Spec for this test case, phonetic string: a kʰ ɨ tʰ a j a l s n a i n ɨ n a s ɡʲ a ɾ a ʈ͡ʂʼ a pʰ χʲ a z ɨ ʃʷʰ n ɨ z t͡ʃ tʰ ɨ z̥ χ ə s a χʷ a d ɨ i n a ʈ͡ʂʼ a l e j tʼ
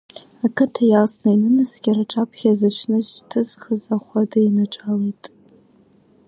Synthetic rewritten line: a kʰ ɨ tʰ a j a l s n a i n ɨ n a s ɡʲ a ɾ a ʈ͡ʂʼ a pʰ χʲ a z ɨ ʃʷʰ n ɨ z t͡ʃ tʰ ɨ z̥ χ ə z a χʷ a d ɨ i n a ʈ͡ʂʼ a l e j tʼ